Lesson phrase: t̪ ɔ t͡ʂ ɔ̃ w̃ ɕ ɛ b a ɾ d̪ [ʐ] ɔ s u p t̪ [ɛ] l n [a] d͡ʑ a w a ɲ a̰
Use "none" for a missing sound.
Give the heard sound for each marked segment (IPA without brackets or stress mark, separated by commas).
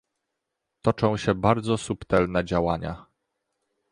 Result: z, ɛ, ɛ